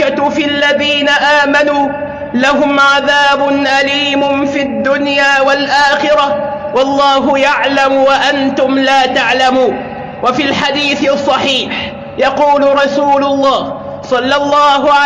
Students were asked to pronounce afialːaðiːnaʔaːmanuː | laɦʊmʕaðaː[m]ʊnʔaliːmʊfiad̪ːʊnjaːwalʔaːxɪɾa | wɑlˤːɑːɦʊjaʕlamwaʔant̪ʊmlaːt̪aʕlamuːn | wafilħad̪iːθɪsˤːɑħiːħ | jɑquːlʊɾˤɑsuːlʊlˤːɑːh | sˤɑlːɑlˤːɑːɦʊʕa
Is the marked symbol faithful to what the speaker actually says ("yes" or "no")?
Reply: no